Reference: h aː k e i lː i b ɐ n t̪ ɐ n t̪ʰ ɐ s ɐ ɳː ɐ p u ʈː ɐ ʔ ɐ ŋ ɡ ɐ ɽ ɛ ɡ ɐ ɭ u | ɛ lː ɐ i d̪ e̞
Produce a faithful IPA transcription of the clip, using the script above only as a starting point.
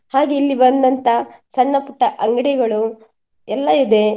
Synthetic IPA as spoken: h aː ɡ e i lː i b ɐ n d̪ ɐ n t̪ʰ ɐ s ɐ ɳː ɐ p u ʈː ɐ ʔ ɐ ŋ ɡ ɐ ɽ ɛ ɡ ɐ ɭ u | ɛ lː ɐ i d̪ e̞